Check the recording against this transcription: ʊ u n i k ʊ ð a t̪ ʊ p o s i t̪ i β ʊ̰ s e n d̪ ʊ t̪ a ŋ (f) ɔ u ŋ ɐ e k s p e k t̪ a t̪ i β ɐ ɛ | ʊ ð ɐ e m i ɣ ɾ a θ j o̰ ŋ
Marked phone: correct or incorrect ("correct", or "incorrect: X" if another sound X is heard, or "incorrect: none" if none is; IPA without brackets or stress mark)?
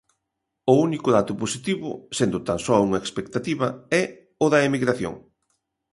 incorrect: s